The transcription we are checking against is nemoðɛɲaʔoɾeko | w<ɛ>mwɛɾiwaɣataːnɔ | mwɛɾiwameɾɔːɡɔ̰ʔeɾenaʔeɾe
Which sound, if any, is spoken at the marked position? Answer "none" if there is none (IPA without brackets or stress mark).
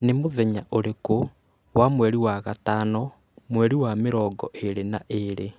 a